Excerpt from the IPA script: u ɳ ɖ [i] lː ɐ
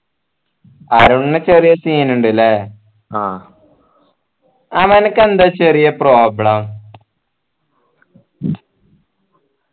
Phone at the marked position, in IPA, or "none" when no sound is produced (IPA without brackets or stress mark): i